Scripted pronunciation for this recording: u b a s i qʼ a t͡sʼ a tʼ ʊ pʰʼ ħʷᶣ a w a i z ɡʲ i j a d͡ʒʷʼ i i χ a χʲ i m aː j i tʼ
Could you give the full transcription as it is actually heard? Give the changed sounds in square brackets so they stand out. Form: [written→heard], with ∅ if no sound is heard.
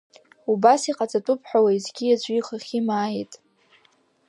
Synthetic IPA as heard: u b a s i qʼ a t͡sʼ a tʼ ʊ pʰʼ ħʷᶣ a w a i z ɡʲ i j a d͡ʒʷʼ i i χ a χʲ i m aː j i tʼ